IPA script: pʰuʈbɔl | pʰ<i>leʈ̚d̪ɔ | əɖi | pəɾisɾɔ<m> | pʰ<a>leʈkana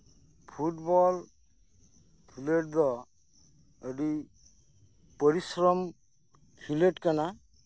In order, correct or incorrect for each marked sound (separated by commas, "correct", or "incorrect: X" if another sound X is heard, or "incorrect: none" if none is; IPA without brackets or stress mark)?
correct, correct, incorrect: i